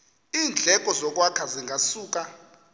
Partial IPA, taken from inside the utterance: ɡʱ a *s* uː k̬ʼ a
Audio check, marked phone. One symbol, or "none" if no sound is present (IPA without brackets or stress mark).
s